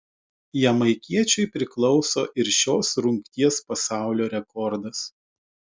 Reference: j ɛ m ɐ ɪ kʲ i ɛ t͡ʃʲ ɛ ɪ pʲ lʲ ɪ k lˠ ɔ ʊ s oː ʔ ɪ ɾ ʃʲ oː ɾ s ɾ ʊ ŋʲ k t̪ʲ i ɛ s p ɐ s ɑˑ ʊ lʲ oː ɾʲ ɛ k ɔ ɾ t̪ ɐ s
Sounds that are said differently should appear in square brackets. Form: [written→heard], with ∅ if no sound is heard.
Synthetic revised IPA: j ɛ m ɐ ɪ kʲ i ɛ t͡ʃʲ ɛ ɪ pʲ [lʲ→ɾʲ] ɪ k lˠ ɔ ʊ s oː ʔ ɪ ɾ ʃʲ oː [ɾ→∅] s ɾ ʊ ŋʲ k t̪ʲ i ɛ s p ɐ s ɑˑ ʊ lʲ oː ɾʲ ɛ k ɔ ɾ [t̪→d̪] ɐ s

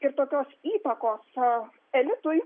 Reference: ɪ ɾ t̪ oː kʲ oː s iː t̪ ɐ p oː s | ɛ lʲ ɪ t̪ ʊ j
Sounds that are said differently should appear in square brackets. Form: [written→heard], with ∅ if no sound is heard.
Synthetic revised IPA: ɪ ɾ t̪ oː kʲ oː s iː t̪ ɐ [p→k] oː s | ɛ lʲ ɪ t̪ ʊ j

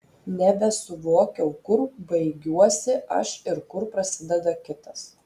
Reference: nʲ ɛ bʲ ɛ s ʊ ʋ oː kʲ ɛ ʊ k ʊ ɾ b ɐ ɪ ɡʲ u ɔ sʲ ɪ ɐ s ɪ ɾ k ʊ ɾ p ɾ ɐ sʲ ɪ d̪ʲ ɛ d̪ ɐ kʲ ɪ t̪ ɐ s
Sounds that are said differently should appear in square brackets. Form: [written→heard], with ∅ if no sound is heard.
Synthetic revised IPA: nʲ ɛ bʲ ɛ s ʊ ʋ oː kʲ ɛ ʊ k ʊ ɾ b ɐ ɪ ɡʲ u ɔ sʲ ɪ ɐ [s→ʃ] ɪ ɾ k ʊ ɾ p ɾ ɐ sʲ ɪ d̪ʲ ɛ d̪ ɐ kʲ ɪ t̪ ɐ s

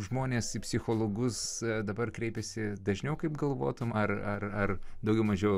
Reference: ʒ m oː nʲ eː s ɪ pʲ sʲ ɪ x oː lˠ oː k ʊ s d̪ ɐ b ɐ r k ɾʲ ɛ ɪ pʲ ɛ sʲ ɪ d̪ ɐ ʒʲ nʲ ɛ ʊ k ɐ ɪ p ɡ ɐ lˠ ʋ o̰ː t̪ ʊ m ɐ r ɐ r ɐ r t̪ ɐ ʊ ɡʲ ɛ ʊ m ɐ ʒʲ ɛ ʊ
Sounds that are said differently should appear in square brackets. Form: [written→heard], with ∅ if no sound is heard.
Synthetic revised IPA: ʒ m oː nʲ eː s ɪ pʲ sʲ ɪ x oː lˠ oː [k→ɡ] ʊ s d̪ ɐ b ɐ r k ɾʲ ɛ ɪ pʲ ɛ sʲ ɪ d̪ ɐ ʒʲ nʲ ɛ ʊ k ɐ ɪ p ɡ ɐ lˠ ʋ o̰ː t̪ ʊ m ɐ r ɐ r ɐ r [t̪→d̪] ɐ ʊ ɡʲ ɛ ʊ m ɐ ʒʲ ɛ ʊ

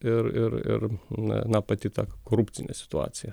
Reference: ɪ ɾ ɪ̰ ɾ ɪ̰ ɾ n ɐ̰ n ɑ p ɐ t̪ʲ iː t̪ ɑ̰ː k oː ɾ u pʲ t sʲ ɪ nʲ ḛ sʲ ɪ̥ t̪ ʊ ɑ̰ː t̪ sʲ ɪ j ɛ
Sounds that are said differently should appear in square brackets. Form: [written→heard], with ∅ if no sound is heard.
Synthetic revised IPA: ɪ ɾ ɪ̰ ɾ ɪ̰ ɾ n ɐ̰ n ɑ p ɐ t̪ʲ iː t̪ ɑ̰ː k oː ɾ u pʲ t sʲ ɪ nʲ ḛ sʲ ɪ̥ t̪ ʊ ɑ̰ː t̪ sʲ ɪ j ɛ

